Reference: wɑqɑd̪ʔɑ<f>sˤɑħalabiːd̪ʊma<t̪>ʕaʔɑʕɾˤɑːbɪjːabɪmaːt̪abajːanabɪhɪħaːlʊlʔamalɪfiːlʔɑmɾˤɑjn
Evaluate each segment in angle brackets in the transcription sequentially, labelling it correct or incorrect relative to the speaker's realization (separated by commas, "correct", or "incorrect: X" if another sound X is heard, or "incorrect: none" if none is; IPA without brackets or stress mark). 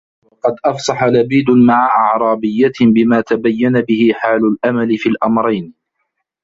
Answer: correct, incorrect: none